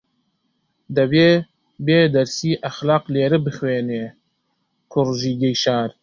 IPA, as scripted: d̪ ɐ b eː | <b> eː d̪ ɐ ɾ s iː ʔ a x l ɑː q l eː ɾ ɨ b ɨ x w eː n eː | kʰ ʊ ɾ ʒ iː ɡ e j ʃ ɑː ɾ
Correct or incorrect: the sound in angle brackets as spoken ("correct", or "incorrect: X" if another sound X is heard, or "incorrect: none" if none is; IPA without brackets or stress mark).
correct